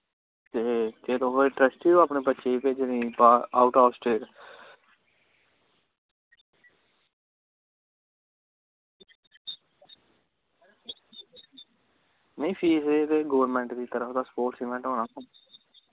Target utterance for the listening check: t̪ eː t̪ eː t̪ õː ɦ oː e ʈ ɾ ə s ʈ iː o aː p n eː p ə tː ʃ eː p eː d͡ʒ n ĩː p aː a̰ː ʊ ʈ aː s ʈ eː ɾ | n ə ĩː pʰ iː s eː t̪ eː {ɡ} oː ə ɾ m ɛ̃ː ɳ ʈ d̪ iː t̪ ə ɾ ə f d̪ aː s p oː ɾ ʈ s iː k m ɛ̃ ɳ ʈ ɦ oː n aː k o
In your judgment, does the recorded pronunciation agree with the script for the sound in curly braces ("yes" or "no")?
yes